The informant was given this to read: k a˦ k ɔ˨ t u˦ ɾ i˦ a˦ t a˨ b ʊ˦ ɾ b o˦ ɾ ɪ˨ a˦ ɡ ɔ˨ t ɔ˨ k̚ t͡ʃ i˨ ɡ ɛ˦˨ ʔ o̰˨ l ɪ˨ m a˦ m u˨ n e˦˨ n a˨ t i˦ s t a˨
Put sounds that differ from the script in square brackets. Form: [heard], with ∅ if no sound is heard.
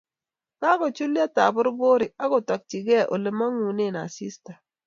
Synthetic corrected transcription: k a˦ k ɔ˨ [t͡ʃ] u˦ [l] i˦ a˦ t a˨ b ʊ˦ ɾ b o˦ ɾ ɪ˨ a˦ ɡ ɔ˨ t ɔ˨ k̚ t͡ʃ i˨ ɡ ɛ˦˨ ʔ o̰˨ l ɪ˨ m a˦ [ŋ] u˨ n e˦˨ n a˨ [s] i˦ s t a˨